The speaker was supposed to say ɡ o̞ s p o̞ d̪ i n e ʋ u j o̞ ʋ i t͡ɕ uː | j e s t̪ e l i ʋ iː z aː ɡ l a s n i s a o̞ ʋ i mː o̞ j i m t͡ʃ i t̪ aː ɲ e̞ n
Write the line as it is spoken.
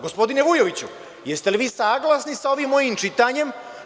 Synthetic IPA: ɡ o̞ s p o̞ d̪ i n e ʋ u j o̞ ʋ i t͡ɕ u | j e s t̪ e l i ʋ iː s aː ɡ l a s n i s a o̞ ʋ i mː o̞ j i m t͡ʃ i t̪ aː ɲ e̞ m